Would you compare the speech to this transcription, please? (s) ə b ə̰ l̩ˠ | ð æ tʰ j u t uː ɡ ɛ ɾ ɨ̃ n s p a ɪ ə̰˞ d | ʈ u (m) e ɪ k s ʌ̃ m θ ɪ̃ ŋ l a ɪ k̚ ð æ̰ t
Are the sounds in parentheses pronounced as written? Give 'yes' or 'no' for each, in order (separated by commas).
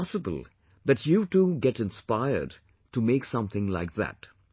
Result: yes, yes